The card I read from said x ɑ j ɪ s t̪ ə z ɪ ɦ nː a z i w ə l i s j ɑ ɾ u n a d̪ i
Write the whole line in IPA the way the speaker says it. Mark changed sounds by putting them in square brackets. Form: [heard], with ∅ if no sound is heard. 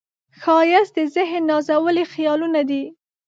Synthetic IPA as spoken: x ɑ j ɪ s [d̪] ə z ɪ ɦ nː [ɑ] z [a] w ə l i [x] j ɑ [l] u n a d̪ i